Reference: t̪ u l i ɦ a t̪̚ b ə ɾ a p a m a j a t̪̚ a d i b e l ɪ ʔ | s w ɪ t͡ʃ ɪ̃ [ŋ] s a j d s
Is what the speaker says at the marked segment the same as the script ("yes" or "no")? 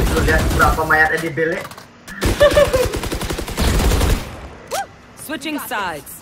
yes